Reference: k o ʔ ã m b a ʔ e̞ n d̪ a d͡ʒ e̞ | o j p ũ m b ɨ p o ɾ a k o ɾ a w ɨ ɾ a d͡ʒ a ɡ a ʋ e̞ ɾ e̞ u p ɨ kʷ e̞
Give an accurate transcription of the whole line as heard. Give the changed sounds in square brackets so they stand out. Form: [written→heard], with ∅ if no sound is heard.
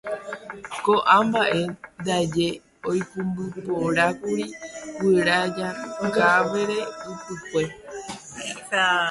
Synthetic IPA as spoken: k o ʔ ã m b a ʔ e̞ n d̪ a d͡ʒ e̞ | o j p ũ m b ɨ p o ɾ a k [o→u] ɾ [a→i] w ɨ ɾ a d͡ʒ a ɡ a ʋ e̞ ɾ e̞ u p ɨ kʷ e̞